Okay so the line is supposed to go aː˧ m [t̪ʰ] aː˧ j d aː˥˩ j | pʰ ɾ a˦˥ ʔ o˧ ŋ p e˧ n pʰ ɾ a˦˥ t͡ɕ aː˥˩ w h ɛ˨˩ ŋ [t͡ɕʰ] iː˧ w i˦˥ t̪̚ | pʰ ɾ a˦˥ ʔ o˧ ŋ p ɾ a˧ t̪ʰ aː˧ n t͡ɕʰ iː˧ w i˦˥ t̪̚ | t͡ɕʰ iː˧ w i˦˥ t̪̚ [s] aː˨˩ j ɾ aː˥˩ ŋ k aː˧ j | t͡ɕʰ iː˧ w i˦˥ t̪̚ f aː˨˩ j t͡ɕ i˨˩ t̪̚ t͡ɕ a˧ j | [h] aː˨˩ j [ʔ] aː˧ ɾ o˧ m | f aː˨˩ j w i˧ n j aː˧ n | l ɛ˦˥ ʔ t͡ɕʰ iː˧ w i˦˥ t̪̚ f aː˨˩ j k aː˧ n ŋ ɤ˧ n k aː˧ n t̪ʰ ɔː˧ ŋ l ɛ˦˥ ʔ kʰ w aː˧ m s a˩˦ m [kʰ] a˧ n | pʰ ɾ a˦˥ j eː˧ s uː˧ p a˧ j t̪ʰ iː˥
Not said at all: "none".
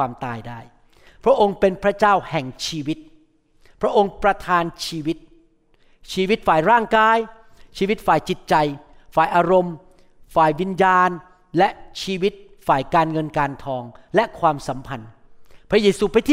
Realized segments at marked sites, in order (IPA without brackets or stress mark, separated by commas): t̪, t͡ɕʰ, f, f, ʔ, pʰ